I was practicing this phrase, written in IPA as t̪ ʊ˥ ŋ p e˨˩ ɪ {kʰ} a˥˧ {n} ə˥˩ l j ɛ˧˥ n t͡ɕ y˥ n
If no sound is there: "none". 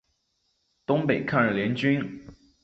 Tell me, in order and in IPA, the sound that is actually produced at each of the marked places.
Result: kʰ, n

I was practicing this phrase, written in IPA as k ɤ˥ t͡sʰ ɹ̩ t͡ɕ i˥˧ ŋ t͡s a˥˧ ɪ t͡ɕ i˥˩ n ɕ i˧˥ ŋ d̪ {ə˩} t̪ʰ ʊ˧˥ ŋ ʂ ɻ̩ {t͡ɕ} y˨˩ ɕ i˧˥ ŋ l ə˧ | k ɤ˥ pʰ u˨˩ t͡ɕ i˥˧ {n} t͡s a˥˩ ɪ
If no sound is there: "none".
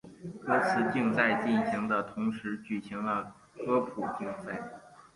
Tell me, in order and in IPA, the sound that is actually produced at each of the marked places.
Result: ə˧, t͡ɕ, ŋ

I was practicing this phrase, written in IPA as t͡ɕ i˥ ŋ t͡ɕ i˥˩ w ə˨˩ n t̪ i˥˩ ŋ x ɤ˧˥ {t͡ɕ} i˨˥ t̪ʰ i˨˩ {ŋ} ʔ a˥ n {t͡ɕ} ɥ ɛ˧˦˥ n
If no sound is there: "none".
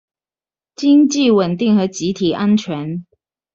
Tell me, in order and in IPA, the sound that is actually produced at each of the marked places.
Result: t͡ɕ, none, t͡ɕʰ

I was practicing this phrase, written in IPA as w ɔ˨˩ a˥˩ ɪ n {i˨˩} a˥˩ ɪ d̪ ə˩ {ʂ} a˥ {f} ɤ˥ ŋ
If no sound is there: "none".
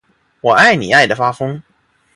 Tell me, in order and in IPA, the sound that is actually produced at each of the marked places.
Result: i˨˩, f, f

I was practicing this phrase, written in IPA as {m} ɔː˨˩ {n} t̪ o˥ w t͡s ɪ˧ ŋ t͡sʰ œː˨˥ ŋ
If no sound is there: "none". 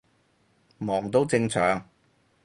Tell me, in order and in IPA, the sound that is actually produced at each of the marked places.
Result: m, ŋ

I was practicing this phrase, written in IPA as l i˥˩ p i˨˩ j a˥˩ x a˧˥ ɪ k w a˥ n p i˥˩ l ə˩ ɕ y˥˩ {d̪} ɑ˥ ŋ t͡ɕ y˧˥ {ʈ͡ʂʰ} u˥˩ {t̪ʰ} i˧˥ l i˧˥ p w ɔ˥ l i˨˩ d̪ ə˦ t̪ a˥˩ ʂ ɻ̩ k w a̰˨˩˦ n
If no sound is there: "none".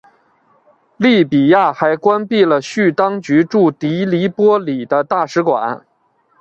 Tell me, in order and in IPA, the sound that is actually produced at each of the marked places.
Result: t̪, ʈ͡ʂ, t̪

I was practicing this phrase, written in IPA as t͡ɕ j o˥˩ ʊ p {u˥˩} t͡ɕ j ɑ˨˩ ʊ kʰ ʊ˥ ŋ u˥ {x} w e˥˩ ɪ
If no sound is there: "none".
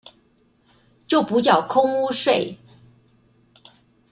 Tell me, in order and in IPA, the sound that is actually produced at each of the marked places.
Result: u˧˥, ʂ

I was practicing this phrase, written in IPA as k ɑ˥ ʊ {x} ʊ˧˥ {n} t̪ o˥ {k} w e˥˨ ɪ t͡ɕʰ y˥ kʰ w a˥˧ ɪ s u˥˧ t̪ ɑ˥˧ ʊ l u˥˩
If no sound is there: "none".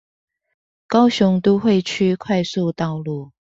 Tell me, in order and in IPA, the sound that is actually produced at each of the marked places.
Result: ɕ, ŋ, x

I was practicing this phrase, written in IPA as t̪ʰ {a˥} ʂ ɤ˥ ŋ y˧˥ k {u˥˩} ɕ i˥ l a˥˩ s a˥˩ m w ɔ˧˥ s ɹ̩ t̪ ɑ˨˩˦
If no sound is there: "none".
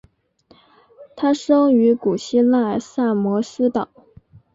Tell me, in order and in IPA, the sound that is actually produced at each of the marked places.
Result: a˥, u˨˩

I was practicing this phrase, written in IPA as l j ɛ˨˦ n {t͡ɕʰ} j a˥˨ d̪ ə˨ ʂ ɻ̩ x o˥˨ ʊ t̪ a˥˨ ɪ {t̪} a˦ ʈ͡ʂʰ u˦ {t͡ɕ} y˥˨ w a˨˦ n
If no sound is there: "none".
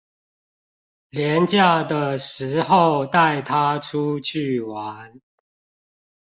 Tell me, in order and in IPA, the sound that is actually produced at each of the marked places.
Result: t͡ɕ, t̪ʰ, t͡ɕʰ

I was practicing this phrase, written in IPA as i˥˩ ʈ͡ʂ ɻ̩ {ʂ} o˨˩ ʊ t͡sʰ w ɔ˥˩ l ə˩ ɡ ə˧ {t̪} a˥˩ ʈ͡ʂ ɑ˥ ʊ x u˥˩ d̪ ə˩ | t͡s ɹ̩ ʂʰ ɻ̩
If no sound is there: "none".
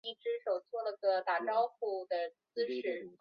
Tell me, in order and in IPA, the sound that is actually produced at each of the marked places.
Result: ʂ, t̪

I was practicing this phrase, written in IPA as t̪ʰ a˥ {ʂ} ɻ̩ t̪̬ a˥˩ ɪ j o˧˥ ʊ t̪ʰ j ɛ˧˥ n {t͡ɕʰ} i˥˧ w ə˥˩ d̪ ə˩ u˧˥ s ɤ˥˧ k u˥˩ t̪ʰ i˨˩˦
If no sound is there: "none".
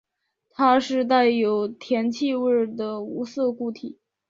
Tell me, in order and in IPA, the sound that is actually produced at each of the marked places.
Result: ʂ, t͡ɕʰ

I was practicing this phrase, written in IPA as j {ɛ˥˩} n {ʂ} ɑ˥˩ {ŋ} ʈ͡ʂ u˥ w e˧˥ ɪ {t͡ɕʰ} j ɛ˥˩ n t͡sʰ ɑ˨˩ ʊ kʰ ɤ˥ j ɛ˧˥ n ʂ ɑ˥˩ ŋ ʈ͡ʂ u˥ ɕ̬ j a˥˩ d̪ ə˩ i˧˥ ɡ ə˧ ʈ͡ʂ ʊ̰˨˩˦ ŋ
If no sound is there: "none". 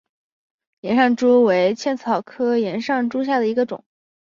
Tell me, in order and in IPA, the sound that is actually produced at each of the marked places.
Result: ɛ˧˥, ʂ, ŋ, t͡ɕʰ

